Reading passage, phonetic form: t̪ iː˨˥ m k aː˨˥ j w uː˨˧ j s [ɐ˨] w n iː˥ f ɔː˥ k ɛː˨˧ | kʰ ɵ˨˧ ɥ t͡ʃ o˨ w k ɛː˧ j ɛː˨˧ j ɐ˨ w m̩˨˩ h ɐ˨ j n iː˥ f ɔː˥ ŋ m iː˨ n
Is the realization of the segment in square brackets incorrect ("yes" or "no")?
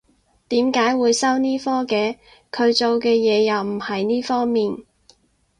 yes